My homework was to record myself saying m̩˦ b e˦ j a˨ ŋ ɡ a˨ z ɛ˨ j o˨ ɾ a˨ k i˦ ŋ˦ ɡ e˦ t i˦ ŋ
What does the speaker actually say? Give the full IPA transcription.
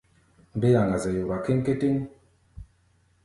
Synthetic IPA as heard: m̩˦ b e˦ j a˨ ŋ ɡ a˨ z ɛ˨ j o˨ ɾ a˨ k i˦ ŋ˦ k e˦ t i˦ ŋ